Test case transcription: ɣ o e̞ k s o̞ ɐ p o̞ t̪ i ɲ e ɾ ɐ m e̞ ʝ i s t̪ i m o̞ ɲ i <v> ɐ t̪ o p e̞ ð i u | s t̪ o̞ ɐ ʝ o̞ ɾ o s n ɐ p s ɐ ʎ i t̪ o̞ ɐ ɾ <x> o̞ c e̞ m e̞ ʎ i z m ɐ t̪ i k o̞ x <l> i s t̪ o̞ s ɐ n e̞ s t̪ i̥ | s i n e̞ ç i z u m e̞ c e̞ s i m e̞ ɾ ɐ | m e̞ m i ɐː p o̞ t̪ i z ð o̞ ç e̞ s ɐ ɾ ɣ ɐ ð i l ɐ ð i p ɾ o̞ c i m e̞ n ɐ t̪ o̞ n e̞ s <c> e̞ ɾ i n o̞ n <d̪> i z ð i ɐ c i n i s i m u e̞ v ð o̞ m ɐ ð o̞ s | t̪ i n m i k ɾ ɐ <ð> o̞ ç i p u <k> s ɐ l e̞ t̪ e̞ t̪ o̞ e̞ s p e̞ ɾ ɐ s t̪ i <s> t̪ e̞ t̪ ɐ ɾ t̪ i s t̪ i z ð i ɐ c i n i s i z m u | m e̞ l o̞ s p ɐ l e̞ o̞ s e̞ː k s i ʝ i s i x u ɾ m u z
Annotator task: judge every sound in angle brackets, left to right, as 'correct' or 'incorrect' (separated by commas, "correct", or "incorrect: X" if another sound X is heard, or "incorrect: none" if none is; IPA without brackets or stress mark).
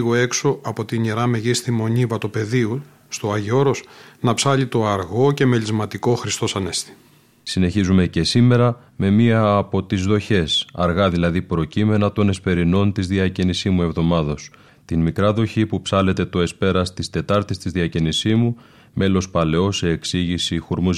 correct, incorrect: ɣ, incorrect: ɾ, incorrect: p, incorrect: t̪, correct, incorrect: p, correct